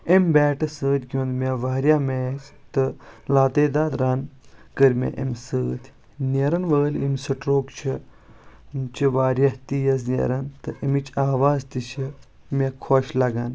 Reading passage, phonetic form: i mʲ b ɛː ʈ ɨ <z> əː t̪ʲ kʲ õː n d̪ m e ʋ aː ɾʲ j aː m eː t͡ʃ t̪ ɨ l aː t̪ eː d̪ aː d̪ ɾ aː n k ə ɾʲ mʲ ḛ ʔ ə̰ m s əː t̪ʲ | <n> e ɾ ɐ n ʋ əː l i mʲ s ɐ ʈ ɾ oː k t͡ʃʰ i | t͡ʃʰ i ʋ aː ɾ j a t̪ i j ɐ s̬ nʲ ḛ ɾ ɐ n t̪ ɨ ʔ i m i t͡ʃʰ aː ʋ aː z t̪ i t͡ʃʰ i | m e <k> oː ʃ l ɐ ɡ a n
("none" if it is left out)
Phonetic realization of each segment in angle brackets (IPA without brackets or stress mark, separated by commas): s, n, kʰ